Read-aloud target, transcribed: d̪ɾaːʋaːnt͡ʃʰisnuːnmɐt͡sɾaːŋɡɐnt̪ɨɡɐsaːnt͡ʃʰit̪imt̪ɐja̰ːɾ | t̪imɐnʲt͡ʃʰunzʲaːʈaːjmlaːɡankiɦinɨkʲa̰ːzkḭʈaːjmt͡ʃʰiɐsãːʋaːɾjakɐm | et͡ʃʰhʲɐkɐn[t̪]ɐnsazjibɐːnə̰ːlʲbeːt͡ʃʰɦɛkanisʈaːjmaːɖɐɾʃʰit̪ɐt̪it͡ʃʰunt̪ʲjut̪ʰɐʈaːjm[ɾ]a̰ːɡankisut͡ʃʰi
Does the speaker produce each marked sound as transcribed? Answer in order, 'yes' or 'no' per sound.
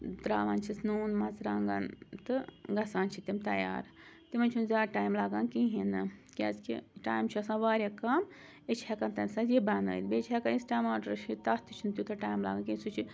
yes, no

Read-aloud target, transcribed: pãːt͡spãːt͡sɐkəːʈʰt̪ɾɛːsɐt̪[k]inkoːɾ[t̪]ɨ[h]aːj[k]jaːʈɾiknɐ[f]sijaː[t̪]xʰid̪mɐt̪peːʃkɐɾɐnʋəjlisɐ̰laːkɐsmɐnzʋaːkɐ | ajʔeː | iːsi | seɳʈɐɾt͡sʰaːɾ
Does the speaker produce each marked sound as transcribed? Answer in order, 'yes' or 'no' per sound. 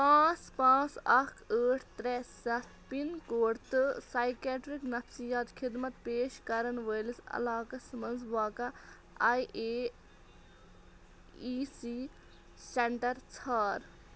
no, yes, no, yes, yes, yes

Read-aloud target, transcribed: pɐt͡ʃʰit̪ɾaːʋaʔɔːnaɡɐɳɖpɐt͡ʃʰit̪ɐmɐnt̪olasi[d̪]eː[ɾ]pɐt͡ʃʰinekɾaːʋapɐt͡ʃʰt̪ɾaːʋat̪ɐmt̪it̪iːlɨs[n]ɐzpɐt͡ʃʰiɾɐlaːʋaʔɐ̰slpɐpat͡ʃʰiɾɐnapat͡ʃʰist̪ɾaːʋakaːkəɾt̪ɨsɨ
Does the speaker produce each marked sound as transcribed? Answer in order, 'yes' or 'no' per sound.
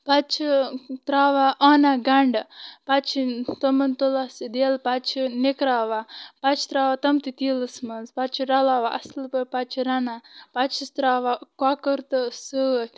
yes, no, no

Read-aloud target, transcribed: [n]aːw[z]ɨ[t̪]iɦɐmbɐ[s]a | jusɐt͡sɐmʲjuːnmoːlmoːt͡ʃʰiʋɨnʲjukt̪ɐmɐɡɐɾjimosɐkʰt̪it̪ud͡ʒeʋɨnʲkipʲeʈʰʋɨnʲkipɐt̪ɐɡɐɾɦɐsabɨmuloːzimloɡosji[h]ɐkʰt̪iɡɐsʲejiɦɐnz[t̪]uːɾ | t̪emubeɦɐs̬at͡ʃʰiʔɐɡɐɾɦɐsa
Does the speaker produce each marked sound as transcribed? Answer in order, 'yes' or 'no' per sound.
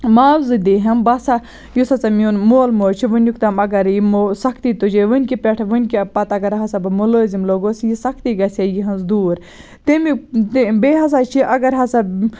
no, yes, no, yes, no, no

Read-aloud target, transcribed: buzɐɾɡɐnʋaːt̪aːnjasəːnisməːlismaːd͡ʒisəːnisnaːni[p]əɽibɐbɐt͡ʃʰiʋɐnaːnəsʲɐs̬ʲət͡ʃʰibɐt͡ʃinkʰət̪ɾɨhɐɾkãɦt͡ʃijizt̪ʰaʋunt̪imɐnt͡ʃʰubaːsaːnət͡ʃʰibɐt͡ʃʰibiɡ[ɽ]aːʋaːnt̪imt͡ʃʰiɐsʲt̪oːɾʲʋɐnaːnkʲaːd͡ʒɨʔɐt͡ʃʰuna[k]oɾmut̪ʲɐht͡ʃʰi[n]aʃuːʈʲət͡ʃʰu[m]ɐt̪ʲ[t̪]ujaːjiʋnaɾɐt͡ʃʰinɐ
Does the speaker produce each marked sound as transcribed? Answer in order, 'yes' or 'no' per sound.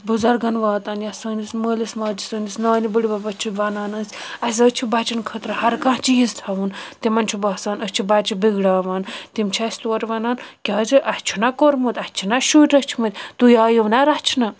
no, yes, yes, yes, yes, yes

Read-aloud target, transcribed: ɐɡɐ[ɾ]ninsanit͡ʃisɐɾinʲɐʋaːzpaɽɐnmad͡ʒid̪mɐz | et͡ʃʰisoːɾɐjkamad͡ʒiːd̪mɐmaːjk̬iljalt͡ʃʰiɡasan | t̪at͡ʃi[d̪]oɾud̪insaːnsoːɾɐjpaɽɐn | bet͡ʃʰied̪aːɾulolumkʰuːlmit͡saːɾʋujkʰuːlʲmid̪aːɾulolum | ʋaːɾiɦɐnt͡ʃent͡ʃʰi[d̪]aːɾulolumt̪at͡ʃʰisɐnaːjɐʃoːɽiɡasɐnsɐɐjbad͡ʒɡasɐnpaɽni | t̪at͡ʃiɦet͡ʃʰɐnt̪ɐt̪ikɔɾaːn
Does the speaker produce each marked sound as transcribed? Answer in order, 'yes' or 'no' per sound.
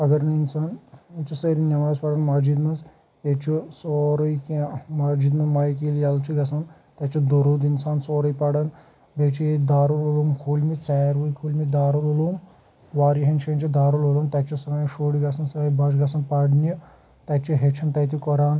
yes, yes, yes

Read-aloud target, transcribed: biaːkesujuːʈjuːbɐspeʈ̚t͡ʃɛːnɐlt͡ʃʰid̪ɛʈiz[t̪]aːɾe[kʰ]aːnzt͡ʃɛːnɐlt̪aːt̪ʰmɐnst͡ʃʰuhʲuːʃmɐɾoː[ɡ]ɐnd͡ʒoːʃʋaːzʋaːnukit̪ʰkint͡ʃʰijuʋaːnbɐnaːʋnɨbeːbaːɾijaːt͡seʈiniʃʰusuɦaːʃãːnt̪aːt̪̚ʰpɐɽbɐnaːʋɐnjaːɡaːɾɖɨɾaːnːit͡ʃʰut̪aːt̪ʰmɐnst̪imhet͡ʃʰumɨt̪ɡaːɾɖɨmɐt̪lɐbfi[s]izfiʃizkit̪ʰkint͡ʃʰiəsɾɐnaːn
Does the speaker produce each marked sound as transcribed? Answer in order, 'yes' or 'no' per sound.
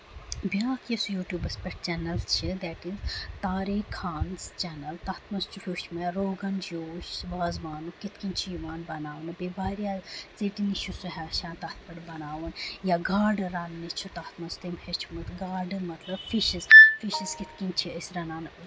yes, yes, yes, no

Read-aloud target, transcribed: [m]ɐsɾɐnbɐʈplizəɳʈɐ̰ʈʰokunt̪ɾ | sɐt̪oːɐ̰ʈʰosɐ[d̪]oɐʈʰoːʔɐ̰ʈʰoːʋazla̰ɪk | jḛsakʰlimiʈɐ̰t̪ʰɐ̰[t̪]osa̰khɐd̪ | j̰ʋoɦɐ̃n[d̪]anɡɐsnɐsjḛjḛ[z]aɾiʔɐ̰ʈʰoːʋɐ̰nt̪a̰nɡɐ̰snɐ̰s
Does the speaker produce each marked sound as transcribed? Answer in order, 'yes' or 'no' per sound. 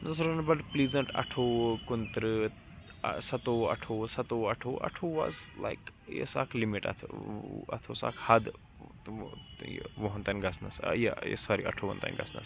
no, no, no, no, no

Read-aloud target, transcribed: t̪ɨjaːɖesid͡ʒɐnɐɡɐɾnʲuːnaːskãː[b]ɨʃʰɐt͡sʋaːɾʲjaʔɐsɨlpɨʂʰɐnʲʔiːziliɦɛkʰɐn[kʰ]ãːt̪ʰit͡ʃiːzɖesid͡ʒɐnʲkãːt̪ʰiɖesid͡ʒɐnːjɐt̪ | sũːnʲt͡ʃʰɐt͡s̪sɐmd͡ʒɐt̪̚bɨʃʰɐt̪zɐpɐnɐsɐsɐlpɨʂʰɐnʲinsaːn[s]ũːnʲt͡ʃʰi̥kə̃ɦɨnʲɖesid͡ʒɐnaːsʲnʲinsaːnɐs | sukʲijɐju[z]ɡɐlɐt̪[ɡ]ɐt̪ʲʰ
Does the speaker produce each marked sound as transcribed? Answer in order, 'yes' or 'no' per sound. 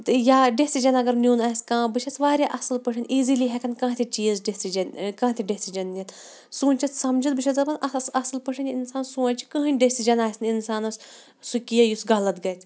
yes, no, yes, no, yes

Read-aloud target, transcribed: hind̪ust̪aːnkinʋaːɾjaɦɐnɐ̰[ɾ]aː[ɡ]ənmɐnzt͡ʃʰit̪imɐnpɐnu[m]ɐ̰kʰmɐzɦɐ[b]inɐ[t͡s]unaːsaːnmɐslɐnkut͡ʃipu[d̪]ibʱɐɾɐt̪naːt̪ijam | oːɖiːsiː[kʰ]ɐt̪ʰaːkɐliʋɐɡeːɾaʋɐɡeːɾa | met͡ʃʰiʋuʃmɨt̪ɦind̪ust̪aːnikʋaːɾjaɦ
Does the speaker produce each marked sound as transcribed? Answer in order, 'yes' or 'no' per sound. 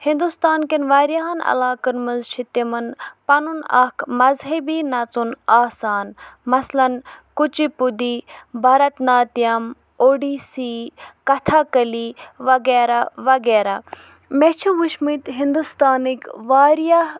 no, no, no, yes, yes, yes, no

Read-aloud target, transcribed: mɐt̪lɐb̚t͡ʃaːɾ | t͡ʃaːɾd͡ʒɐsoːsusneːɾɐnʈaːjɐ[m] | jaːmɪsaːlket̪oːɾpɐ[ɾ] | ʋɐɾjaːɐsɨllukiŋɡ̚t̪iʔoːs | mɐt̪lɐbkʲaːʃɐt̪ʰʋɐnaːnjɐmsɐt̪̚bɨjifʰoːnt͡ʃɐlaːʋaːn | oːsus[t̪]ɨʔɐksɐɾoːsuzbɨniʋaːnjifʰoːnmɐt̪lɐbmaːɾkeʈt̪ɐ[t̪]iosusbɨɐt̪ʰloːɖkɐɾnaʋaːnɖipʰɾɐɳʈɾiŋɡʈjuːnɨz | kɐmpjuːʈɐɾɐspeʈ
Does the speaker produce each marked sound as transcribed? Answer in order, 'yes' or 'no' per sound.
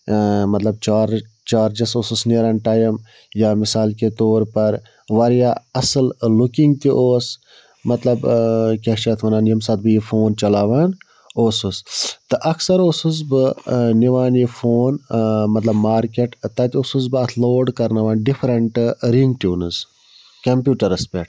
yes, yes, yes, yes

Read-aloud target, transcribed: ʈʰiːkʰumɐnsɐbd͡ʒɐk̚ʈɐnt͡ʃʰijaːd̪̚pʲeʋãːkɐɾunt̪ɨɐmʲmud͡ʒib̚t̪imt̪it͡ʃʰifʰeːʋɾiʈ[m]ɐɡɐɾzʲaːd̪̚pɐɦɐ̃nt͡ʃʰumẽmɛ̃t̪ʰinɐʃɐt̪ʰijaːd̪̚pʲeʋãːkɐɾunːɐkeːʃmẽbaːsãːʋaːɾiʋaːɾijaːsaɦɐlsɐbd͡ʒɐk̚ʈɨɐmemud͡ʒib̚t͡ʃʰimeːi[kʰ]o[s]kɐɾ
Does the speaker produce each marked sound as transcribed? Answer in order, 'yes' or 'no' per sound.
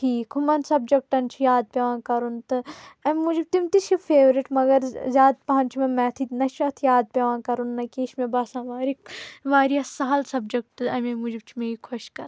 yes, yes, no

